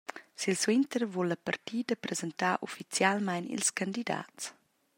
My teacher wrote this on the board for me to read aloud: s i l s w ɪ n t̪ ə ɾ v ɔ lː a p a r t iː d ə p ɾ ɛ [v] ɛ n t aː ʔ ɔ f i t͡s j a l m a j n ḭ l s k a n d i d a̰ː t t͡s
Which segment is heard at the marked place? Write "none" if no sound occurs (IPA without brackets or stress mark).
z